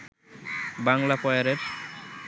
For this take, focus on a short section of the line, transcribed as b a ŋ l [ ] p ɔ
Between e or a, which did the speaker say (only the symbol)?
a